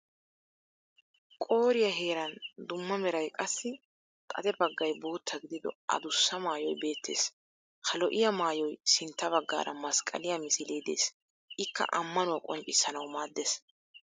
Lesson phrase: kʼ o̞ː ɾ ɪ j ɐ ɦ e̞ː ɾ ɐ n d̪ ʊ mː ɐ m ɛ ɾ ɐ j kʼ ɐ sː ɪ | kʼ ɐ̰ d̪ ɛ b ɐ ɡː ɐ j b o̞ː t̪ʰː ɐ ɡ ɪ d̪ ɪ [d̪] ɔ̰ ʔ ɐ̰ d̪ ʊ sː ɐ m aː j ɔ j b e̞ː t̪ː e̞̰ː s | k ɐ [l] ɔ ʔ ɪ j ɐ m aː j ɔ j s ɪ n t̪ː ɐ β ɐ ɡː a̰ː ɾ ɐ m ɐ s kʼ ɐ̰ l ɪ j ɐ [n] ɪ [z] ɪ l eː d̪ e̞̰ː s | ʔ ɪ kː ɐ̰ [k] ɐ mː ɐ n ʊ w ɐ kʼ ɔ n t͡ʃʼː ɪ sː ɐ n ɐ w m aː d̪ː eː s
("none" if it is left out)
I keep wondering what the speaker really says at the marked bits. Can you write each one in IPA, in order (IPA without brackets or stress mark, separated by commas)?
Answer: d̪, l, m, s, ʔ